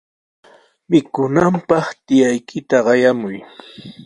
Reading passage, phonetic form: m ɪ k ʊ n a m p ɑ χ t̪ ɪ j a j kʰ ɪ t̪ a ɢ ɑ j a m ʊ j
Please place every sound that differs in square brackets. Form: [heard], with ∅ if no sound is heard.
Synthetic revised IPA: m ɪ k ʊ n a m p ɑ χ t̪ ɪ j a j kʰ ɪ t̪ a ɢ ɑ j a m ʊ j